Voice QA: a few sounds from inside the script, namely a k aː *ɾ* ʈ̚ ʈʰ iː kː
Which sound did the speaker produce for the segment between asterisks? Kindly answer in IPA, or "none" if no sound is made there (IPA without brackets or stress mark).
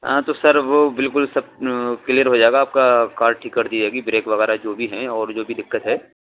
ɾ